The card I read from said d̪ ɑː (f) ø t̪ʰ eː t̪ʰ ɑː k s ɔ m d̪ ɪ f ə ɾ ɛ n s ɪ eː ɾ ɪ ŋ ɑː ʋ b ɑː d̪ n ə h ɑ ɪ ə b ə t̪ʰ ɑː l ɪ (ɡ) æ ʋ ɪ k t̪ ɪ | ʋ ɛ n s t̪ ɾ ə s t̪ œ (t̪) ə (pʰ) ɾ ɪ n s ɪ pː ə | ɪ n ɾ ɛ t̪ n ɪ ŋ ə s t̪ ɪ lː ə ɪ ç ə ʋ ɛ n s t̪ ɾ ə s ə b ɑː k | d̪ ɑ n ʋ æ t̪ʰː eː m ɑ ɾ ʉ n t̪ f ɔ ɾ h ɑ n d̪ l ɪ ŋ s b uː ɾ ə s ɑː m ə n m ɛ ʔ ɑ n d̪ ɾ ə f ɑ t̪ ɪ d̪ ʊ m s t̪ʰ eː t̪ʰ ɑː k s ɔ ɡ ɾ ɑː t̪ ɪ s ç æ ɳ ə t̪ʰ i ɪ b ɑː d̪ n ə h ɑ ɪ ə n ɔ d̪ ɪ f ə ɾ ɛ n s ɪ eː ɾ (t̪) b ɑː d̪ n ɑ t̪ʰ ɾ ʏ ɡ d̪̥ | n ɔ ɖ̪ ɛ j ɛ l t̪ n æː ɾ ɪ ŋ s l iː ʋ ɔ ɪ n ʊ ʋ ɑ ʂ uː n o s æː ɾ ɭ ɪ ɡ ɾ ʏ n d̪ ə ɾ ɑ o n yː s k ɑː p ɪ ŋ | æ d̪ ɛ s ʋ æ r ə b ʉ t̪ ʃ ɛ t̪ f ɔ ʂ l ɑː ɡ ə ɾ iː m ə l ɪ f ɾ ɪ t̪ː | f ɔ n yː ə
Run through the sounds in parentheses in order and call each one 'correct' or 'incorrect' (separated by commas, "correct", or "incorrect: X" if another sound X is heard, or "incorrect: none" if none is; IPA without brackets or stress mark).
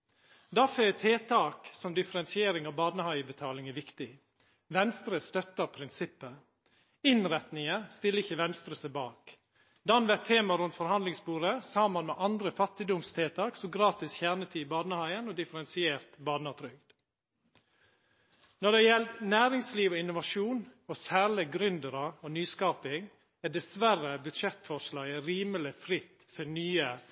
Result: correct, incorrect: ŋ, correct, correct, correct